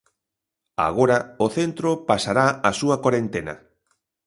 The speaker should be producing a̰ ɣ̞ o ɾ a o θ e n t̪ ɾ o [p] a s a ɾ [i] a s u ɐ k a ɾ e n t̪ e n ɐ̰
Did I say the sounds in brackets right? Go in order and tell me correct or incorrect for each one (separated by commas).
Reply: correct, incorrect